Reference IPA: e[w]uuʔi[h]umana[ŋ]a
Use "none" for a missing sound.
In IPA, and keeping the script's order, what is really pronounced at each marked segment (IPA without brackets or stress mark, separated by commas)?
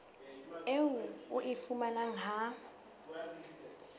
w, f, ŋ